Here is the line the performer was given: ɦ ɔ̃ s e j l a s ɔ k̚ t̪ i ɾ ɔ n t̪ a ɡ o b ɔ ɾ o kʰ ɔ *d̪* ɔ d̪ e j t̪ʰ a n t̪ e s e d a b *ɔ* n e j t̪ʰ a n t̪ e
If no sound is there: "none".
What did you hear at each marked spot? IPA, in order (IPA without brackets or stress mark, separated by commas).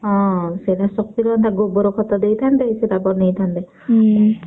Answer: t̪, ɔ